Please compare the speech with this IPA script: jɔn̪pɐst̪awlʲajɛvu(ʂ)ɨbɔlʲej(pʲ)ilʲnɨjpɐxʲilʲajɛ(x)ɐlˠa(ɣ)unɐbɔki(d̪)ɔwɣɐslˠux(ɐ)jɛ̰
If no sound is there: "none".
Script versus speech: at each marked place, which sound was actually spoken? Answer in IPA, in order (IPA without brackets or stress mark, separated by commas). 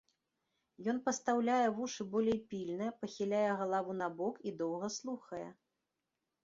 ʂ, pʲ, ɣ, v, d̪, ɐ